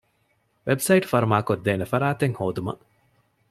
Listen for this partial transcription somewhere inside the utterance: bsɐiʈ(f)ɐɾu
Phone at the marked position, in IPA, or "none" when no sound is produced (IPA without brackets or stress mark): f